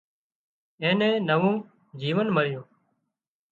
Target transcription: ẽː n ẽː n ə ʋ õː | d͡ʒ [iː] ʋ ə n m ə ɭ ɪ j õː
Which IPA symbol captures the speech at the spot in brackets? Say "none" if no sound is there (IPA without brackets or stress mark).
iː